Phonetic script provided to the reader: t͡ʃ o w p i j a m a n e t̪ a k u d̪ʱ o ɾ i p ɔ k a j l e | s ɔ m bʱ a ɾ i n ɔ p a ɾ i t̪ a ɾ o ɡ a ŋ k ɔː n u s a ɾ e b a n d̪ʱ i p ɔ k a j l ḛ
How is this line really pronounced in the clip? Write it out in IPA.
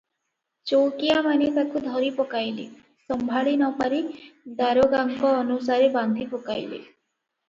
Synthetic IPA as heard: t͡ʃ o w k i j a m a n e t̪ a k u d̪ʱ ɔ ɾ i p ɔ k a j l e | s ɔ m bʱ a ɭ i n ɔ p a ɾ i d̪ a ɾ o ɡ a ŋ k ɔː n u s a ɾ e b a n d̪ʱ i p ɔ k a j l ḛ